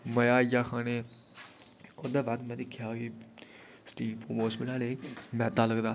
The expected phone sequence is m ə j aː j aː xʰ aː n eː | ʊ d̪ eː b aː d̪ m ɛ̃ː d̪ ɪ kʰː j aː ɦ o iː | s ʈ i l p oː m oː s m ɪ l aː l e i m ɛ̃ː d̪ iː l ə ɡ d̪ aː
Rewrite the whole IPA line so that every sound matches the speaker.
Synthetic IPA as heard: m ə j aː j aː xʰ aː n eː | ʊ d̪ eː b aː d̪ m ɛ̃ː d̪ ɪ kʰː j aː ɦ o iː | s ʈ iː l p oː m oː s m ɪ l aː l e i m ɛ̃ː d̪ aː l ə ɡ d̪ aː